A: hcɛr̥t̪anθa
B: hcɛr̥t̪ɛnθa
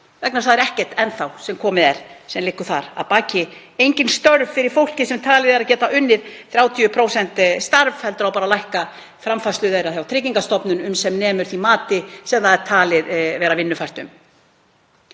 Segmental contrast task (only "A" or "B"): B